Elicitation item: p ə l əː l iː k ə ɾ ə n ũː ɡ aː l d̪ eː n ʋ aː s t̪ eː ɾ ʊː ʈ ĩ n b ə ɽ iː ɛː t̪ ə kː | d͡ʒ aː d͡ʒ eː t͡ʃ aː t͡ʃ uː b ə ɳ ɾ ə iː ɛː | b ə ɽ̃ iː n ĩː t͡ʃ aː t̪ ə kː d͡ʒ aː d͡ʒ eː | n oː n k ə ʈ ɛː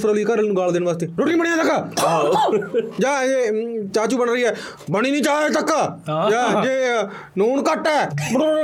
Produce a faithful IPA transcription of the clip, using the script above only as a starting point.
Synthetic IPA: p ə ɾ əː l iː k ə ɾ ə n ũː ɡ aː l d̪ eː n ʋ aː s t̪ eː ɾ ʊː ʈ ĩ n b ə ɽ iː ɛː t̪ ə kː | d͡ʒ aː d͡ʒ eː t͡ʃ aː t͡ʃ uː b ə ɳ ɾ ə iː ɛː | b ə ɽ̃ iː n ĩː t͡ʃ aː t̪ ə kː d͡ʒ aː d͡ʒ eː | n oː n k ə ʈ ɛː